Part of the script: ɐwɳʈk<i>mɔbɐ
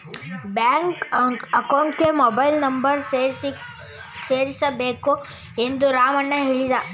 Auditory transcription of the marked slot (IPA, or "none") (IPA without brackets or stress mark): e